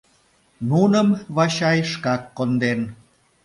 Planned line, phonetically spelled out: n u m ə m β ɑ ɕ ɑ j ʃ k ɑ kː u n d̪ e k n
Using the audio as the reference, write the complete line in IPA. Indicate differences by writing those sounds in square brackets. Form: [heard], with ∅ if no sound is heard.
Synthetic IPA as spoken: n u [n] ə m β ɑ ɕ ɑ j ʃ k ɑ kː [o] n d̪ e [∅] n